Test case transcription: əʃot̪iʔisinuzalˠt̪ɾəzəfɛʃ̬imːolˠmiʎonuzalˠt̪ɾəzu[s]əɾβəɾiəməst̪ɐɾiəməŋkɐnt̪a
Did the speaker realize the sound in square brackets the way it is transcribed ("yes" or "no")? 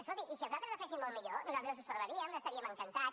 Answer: yes